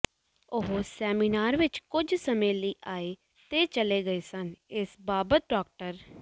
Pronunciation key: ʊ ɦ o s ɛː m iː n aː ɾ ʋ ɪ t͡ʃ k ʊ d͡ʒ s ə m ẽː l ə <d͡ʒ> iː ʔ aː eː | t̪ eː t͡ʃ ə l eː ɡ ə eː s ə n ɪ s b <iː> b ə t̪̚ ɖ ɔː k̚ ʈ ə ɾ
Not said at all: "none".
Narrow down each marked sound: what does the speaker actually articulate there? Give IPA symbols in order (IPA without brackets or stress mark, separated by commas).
none, aː